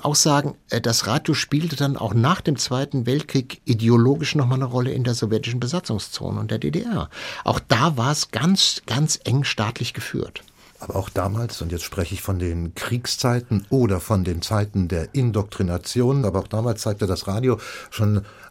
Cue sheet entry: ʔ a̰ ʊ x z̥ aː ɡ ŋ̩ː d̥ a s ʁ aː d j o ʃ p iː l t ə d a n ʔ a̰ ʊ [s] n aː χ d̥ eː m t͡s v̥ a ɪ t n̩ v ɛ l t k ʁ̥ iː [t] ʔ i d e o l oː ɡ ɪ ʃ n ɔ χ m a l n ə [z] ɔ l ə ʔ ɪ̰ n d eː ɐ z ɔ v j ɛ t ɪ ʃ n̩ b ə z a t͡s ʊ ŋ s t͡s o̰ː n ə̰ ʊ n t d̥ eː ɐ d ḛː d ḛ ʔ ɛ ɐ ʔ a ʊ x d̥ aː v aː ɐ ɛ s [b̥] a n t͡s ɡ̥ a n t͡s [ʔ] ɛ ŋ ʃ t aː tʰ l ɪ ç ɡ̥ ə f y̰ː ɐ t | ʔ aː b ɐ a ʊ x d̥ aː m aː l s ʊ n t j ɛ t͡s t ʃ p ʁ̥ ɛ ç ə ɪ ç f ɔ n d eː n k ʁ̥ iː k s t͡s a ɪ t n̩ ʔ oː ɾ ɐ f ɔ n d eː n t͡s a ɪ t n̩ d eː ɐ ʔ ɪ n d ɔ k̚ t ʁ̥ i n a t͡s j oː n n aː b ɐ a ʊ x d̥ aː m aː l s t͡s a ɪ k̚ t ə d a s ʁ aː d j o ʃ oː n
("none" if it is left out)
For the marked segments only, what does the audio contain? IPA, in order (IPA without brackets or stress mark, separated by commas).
x, k, ʁ, ɡ̥, ʔ